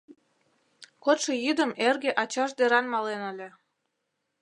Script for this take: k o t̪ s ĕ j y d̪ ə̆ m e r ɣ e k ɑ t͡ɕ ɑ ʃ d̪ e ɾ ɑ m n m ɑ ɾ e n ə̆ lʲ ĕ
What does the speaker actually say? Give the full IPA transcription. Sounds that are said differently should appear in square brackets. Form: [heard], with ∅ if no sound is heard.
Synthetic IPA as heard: k o t̪ [ʃ] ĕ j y d̪ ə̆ m e r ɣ e [ʔ] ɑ t͡ɕ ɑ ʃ d̪ e ɾ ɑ [∅] n m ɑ [l] e n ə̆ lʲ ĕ

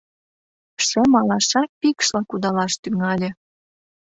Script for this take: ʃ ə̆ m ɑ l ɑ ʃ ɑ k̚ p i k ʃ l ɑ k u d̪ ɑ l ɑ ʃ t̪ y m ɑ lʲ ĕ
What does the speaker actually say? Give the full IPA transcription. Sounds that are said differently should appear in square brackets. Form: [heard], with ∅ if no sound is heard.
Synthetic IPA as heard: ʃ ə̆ m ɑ l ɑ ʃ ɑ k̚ p i k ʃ l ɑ k u d̪ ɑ l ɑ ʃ t̪ y [ŋ] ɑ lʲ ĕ

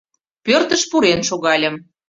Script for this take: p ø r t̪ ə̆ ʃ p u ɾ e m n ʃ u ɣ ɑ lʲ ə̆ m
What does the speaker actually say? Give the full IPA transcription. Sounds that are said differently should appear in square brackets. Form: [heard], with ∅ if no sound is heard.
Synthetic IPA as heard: p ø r t̪ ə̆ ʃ p u ɾ e [∅] n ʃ [o] ɣ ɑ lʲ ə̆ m

